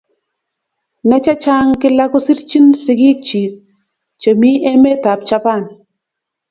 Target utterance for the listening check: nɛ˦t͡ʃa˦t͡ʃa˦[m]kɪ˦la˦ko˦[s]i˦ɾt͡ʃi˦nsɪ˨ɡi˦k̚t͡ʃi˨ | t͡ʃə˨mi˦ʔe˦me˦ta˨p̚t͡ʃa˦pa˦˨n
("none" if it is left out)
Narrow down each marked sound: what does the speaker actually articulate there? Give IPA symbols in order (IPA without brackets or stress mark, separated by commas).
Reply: ŋ, s